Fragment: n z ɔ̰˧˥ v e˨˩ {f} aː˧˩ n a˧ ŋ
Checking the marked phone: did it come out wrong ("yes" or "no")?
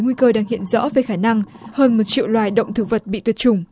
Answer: yes